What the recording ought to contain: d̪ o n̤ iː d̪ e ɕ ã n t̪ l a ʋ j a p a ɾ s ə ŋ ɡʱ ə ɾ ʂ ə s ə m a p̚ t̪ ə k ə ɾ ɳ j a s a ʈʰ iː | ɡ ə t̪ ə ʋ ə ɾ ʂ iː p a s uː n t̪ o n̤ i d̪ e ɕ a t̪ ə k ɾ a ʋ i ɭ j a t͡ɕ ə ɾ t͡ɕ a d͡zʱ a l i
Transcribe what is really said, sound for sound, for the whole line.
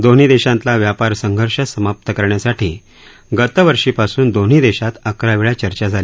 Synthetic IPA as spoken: d̪ o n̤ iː d̪ e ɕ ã n t̪ l a ʋ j a p a ɾ s ə ŋ ɡʱ ə ɾ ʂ ə s ə m a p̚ t̪ ə k ə ɾ ɳ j a s a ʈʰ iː | ɡ ə t̪ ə ʋ ə ɾ ʂ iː p a s uː n d̪ o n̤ i d̪ e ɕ a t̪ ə k ɾ a ʋ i ɭ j a t͡ɕ ə ɾ t͡ɕ a d͡zʱ a l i